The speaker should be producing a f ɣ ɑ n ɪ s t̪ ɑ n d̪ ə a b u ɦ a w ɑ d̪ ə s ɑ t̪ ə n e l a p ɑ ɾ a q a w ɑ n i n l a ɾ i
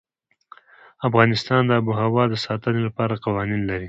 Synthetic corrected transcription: a f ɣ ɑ n ɪ s t̪ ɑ n d̪ ə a b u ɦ a w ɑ d̪ ə s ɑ t̪ ə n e l a p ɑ ɾ a q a w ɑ n i n l a ɾ i